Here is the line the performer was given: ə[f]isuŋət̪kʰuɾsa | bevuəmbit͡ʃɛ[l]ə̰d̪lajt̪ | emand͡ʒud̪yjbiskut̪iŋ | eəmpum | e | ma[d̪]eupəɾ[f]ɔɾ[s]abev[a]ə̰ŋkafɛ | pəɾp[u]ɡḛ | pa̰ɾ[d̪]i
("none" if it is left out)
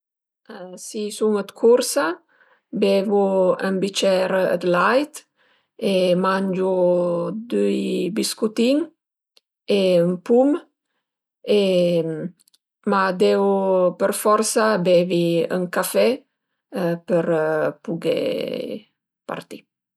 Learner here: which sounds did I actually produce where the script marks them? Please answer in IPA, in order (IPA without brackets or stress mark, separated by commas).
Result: s, ɾ, d̪, f, s, i, u, t̪